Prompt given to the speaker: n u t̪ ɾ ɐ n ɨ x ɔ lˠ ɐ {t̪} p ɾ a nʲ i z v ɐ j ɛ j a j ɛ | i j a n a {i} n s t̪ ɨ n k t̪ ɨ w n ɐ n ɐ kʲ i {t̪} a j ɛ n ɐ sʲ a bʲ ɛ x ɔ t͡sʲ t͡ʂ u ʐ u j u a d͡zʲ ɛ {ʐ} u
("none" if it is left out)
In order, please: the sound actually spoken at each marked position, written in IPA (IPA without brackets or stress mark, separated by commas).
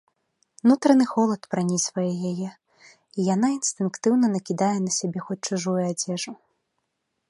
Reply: t̪, i, d̪, ʐ